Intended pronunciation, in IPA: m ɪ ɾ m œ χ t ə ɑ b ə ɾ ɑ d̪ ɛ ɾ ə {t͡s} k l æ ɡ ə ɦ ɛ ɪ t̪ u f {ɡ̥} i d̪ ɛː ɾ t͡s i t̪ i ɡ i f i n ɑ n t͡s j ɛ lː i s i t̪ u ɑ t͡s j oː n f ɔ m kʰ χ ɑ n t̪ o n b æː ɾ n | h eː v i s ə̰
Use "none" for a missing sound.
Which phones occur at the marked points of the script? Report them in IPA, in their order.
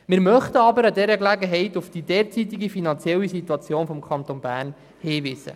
none, d̥

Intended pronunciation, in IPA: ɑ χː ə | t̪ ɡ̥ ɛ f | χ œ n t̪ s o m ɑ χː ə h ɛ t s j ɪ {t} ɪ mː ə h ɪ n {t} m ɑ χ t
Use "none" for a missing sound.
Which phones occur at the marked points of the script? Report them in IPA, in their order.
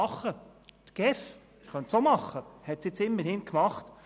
t͡s, k

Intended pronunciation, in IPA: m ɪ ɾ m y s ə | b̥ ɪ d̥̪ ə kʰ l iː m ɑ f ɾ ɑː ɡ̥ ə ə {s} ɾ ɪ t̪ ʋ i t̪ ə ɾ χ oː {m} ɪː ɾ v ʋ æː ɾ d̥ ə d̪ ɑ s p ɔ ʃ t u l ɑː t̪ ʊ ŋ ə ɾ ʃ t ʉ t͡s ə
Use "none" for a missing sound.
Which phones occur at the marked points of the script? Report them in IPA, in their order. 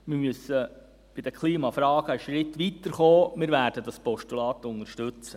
ʃ, m

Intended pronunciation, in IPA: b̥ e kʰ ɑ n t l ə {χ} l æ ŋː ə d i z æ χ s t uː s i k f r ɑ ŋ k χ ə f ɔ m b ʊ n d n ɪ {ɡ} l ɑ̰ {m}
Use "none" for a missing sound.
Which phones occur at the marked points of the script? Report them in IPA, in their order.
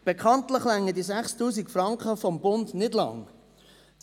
χ, d, ŋ

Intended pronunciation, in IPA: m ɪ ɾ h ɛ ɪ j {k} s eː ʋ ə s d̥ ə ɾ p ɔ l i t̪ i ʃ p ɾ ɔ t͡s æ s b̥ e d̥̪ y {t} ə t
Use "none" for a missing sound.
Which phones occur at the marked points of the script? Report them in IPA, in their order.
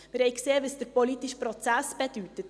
k, t

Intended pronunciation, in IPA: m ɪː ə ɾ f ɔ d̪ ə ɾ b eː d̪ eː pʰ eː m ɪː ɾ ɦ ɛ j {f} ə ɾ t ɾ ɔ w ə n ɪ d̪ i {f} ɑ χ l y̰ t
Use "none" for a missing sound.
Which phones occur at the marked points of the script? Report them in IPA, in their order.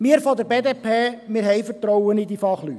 f, f

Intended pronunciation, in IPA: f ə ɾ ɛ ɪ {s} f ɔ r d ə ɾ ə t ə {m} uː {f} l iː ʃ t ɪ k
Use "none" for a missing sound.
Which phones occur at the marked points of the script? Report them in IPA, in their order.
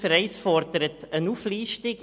s, n, f

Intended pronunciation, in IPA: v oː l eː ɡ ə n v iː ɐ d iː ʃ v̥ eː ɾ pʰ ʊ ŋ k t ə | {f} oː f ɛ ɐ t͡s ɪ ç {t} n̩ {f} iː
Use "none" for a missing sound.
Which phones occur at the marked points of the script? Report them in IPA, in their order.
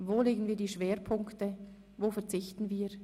v, t, v

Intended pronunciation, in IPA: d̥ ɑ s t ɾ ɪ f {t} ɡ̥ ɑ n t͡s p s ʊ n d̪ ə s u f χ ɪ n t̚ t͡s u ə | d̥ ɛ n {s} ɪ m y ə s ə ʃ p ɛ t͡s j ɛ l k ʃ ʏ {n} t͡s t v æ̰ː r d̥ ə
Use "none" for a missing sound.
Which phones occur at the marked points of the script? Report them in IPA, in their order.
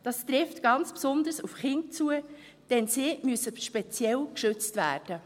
t, s, none

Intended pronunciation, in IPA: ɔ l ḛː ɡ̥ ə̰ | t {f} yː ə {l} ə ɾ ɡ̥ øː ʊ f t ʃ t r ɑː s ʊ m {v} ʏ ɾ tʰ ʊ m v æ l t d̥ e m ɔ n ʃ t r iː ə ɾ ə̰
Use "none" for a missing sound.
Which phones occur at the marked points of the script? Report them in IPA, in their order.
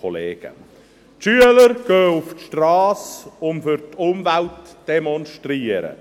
ʃ, l, f

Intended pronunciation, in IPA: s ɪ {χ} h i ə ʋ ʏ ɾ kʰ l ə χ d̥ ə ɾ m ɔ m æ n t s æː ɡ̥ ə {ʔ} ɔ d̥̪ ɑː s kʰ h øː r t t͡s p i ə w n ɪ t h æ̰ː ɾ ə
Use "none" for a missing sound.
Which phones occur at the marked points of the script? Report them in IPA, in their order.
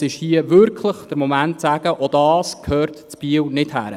ʃ, ʔ

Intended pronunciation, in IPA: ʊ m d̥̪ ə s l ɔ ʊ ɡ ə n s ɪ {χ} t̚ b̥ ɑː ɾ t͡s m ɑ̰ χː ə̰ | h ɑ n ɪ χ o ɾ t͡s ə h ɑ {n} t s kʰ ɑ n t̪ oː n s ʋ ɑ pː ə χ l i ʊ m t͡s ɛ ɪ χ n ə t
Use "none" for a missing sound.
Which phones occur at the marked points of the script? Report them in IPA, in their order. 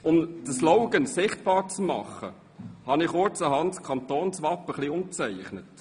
χ, n

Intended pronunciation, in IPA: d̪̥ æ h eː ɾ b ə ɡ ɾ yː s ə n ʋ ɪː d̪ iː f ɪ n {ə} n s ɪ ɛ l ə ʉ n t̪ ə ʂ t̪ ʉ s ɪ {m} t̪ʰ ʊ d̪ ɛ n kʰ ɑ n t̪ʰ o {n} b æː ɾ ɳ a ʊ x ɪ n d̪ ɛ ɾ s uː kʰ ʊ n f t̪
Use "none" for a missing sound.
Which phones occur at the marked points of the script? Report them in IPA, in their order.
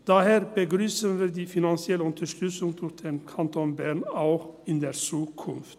ɑ, ŋ, n

